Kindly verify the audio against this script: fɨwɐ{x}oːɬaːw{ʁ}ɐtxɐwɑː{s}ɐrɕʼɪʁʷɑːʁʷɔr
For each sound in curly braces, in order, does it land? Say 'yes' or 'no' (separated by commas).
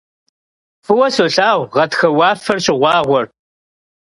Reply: no, yes, no